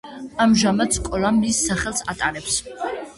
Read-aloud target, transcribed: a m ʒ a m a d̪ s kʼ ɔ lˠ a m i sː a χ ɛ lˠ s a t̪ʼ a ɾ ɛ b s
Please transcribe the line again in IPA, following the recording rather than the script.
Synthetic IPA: a m ʒ a m a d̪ s kʼ ɔ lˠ a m i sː a χ ɛ lˠ s a t̪ʼ a ɾ ɛ p s

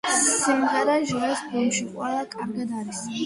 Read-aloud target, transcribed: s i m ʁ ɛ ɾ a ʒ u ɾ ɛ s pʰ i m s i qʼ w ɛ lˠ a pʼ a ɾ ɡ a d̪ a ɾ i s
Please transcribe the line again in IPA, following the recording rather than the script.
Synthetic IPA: s i m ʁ ɛ ɾ a ʒ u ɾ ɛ s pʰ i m ʃ i qʼ w ɛ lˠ a kʼ a ɾ ɡ a d̪ a ɾ i s

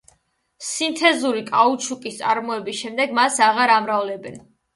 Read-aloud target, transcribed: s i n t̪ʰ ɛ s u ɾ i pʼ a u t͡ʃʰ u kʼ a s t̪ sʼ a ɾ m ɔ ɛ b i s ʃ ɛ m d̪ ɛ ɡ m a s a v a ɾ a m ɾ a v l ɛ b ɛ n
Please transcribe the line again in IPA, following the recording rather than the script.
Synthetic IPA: s i n t̪ʰ ɛ z u ɾ i kʼ a u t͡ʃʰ u kʼ i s t̪ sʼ a ɾ m ɔ ɛ b i s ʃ ɛ m d̪ ɛ ɡ m a s a ʁ a ɾ a m ɾ a v l ɛ b ɛ n

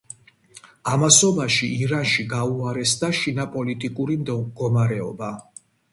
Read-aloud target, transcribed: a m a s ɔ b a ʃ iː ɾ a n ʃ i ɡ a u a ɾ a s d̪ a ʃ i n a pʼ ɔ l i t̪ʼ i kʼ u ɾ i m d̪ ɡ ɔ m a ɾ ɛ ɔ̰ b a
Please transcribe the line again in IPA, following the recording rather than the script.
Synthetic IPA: a m a s ɔ b a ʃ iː ɾ a n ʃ i ɡ a u a ɾ ɛ s d̪ a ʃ i n a pʼ ɔ l i t̪ʼ i kʼ u ɾ i m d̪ ɡ ɔ m a ɾ ɛ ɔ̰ b a

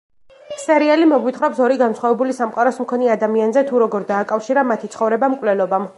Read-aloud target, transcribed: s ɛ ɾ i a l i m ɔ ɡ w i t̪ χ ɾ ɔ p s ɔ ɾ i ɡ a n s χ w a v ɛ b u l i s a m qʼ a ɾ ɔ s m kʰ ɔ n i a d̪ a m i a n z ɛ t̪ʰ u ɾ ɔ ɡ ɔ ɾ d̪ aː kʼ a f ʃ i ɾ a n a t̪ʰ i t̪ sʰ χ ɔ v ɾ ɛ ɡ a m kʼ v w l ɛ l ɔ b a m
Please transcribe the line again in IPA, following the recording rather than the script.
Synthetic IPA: s ɛ ɾ i a l i m ɔ ɡ w i t̪ χ ɾ ɔ p s ɔ ɾ i ɡ a n s χ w a v ɛ b u l i s a m qʼ a ɾ ɔ s m kʰ ɔ n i a d̪ a m i a n z ɛ t̪ʰ u ɾ ɔ ɡ ɔ ɾ d̪ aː kʼ a f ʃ i ɾ a m a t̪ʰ i t̪ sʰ χ ɔ v ɾ ɛ b a m kʼ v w l ɛ l ɔ b a m

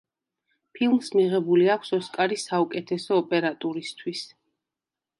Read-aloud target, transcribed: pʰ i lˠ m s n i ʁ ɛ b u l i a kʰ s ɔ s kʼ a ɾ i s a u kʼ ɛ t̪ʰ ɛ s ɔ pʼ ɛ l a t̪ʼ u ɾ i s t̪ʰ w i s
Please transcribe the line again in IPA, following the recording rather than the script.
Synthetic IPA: pʰ i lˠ m s m i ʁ ɛ b u l i a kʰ s ɔ s kʼ a ɾ i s a u kʼ ɛ t̪ʰ ɛ s ɔː pʼ ɛ ɾ a t̪ʼ u ɾ i s t̪ʰ w i s

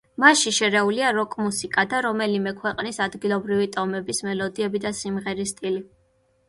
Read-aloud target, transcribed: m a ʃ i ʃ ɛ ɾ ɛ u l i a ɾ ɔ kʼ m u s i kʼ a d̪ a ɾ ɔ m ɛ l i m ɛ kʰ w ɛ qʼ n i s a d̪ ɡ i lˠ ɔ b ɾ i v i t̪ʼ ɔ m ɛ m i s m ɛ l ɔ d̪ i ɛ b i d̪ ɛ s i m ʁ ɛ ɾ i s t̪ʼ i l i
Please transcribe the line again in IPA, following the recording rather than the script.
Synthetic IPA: m a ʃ i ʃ ɛ ɾ ɛ u l i a ɾ ɔ kʼ m u s i kʼ a d̪ a ɾ ɔ m ɛ l i m ɛ kʰ w ɛ qʼ n i s a d̪ ɡ i lˠ ɔ b ɾ i v i t̪ʼ ɔ m ɛ b i s m ɛ l ɔ d̪ i ɛ b i d̪ a s i m ʁ ɛ ɾ i s t̪ʼ i l i

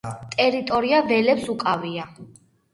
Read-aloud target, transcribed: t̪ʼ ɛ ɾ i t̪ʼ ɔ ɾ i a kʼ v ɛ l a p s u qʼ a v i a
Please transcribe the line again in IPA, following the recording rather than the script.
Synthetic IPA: t̪ʼ ɛ ɾ i t̪ʼ ɔ ɾ i a v ɛ l ɛ p s u kʼ a v i a

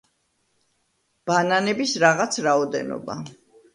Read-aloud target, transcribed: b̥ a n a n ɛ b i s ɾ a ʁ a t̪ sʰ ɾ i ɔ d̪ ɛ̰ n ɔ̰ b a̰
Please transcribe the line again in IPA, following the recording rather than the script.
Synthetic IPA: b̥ a n a n ɛ b i s ɾ a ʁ a t̪ sʰ ɾ a ɔ d̪ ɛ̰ n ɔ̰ b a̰

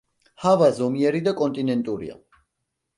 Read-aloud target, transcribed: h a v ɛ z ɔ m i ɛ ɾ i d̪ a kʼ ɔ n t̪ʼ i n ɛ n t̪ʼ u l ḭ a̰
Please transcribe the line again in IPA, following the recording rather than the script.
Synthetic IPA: h a v a z ɔ m i ɛ ɾ i d̪ a kʼ ɔ n t̪ʼ i n ɛ n t̪ʼ u ɾ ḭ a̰

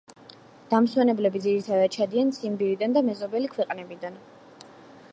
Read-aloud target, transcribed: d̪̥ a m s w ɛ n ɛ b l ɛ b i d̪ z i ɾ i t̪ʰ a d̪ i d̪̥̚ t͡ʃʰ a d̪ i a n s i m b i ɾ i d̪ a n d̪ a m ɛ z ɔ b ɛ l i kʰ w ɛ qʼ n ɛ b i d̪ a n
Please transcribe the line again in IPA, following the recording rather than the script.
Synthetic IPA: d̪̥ a m s w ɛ n ɛ b l ɛ b i d̪ z i ɾ i t̪ʰ a d̪ a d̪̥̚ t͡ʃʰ a d̪ i a n s i m b i ɾ i d̪ a n d̪ a m ɛ z ɔ b ɛ l i kʰ w ɛ qʼ n ɛ b i d̪ a n

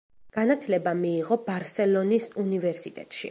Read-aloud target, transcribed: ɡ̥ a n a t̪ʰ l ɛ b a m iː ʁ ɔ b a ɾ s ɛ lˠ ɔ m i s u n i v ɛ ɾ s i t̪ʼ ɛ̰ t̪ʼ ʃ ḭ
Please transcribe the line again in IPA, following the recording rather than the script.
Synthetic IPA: ɡ̥ a n a t̪ʰ l ɛ b a m iː ʁ ɔ b a ɾ s ɛ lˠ ɔ n i s u n i v ɛ ɾ s i t̪ʼ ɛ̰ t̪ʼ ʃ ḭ

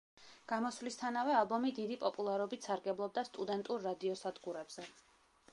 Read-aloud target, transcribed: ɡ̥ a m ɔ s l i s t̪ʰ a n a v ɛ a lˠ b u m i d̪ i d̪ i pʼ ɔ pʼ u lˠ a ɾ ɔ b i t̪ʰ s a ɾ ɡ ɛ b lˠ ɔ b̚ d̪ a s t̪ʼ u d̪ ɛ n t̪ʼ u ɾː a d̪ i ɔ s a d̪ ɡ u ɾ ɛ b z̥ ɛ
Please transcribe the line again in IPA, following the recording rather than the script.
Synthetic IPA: ɡ̥ a m ɔ s l i s t̪ʰ a n a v ɛ a lˠ b ɔ m i d̪ i d̪ i pʼ ɔ pʼ u lˠ a ɾ ɔ b i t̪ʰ s a ɾ ɡ ɛ b lˠ ɔ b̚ d̪ a s t̪ʼ u d̪ ɛ n t̪ʼ u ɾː a d̪ i ɔ s a d̪ ɡ u ɾ ɛ b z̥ ɛ

